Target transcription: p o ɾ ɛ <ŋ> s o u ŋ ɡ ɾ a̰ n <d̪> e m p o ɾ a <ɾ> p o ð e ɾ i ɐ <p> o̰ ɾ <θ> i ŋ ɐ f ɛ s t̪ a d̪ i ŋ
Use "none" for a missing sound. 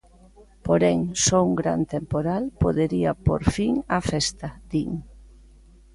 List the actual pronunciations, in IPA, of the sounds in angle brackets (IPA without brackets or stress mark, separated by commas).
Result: ŋ, t̪, l, p, f